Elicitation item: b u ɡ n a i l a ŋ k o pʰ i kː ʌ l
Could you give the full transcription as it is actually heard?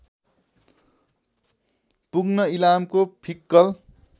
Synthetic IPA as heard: p u ɡ n ʌ i l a m k o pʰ i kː ʌ l